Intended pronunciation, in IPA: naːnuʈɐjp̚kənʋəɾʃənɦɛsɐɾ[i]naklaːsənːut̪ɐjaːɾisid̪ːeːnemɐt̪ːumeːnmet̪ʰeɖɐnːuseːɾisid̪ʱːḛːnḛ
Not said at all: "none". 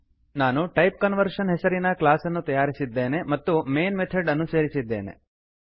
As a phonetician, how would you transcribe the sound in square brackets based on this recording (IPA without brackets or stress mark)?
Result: i